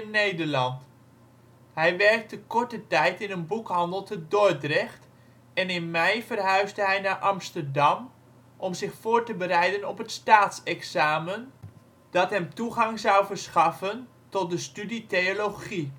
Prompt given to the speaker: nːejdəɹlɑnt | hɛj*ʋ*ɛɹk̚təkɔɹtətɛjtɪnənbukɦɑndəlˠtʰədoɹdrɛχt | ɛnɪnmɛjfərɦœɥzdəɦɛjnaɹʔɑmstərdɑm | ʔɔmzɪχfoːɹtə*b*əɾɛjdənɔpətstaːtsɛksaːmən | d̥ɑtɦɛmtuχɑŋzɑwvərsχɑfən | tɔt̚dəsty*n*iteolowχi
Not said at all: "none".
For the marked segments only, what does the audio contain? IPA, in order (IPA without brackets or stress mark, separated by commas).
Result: ʋ, b, d